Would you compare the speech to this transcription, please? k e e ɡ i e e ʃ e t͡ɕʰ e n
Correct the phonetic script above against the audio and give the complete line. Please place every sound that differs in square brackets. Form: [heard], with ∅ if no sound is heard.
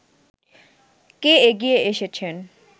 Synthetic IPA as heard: k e e ɡ i e e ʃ e t͡ɕʰ e n